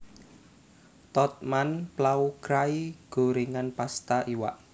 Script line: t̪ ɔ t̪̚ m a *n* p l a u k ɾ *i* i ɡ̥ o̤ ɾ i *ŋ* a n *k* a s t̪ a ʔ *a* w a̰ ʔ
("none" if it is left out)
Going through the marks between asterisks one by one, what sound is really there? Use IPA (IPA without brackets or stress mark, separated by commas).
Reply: n, a, ŋ, p, i